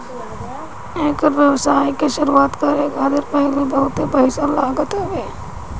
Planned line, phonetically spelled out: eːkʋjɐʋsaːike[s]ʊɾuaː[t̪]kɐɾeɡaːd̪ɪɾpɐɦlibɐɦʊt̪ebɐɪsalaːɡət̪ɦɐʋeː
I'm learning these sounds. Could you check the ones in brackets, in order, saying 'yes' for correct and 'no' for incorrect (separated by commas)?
no, yes